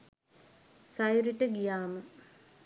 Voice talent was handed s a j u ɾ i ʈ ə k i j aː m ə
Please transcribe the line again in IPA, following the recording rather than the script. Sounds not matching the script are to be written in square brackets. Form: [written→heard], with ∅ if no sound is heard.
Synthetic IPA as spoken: s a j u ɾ i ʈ ə [k→ɡ] i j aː m ə

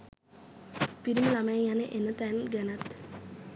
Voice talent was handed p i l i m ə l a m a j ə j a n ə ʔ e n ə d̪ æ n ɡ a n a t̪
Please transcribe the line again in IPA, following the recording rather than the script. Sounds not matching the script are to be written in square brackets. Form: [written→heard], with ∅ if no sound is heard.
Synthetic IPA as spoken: p i [l→ɾ] i m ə l a m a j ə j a n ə ʔ e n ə [d̪→t̪] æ n ɡ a n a t̪

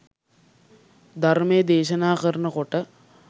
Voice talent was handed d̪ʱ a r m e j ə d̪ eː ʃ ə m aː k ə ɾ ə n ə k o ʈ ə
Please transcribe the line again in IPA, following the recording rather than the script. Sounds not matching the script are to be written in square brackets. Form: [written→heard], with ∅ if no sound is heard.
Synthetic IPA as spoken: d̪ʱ a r m e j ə d̪ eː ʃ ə [m→n] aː k ə ɾ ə n ə k o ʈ ə

